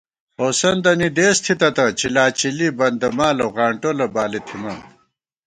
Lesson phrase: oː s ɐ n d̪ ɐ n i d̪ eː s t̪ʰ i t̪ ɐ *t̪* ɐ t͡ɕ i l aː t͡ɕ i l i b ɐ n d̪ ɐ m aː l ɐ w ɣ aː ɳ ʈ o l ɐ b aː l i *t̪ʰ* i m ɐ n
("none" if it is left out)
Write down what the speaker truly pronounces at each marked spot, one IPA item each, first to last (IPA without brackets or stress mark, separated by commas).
t̪, t̪ʰ